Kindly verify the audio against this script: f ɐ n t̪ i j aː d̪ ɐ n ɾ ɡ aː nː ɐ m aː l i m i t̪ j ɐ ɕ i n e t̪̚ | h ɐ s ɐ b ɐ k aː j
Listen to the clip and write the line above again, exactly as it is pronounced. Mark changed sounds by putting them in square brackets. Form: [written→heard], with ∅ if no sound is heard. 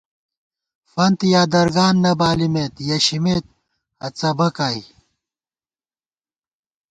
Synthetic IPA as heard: f ɐ n t̪ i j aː d̪ ɐ [n→∅] ɾ ɡ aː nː ɐ [m→b] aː l i m [i→e] t̪ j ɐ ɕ i [n→m] e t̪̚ | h ɐ [s→t͡s] ɐ b ɐ k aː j